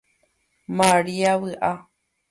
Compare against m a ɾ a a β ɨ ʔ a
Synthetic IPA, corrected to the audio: m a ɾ i a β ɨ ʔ a